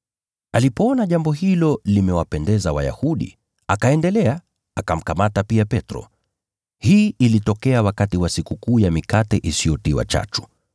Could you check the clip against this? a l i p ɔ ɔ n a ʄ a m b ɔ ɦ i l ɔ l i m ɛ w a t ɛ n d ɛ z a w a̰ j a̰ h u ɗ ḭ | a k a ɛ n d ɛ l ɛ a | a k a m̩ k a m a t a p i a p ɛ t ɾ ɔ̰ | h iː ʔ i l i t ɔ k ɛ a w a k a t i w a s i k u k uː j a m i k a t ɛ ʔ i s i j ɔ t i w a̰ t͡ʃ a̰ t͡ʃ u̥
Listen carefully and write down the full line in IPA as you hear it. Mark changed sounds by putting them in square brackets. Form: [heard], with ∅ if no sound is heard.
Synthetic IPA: a l i p ɔ ɔ n a ʄ a m b ɔ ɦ i l ɔ l i m ɛ w a [p] ɛ n d ɛ z a w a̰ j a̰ h u ɗ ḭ | a k a ɛ n d ɛ l ɛ a | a k a m̩ k a m a t a p i a p ɛ t ɾ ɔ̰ | h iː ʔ i l i t ɔ k ɛ a w a k a t i w a s i k u k uː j a m i k a t ɛ ʔ i s i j ɔ t i w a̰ t͡ʃ a̰ t͡ʃ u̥